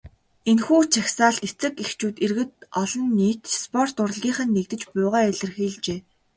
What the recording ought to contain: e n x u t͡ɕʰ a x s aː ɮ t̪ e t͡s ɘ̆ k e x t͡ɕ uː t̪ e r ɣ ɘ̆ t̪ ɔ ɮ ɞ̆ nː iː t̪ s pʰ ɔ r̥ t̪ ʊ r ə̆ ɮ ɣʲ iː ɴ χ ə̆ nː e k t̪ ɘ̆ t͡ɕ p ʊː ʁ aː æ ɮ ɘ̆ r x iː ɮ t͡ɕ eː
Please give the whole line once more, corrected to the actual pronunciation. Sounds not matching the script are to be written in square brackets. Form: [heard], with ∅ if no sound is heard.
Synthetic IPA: e n x [uː] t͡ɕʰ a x s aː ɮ t̪ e t͡s ɘ̆ k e x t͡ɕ uː t̪ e r ɣ ɘ̆ t̪ ɔ ɮ ɞ̆ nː iː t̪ s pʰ ɔ r̥ t̪ ʊ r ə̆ ɮ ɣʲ iː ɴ χ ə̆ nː e k t̪ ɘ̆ t͡ɕ p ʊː ʁ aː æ ɮ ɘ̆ r x iː ɮ t͡ɕ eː